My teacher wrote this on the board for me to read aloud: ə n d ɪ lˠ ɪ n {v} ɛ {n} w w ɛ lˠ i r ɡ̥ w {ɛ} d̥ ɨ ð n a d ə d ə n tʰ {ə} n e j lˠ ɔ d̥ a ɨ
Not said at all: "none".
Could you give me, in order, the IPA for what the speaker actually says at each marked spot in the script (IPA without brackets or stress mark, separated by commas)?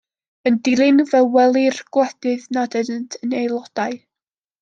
v, none, ɛ, ə